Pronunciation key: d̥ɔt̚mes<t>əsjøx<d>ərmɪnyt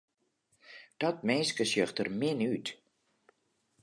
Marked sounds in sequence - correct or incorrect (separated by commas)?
incorrect, incorrect